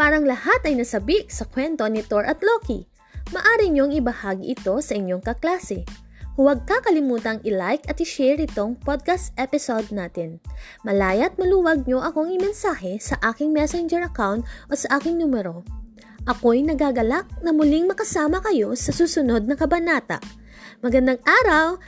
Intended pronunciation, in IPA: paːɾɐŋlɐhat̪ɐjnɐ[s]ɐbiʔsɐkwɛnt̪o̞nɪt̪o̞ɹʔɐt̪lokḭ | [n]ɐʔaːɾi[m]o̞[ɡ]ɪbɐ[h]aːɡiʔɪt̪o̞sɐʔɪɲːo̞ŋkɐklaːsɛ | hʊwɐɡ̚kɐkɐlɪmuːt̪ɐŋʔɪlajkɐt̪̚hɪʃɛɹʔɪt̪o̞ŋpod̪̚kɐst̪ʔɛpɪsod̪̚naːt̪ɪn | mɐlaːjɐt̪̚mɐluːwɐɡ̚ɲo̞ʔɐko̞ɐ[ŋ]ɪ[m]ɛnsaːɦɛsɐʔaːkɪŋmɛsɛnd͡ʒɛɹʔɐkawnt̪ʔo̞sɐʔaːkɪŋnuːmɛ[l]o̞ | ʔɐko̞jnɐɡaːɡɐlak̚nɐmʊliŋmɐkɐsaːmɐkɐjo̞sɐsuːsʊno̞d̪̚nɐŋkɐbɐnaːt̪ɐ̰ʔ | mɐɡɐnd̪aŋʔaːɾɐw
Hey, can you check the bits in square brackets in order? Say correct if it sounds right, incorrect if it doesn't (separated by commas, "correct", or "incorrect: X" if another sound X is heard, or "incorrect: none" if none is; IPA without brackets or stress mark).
correct, incorrect: m, incorrect: ɲ, incorrect: ŋ, correct, correct, correct, incorrect: ɾ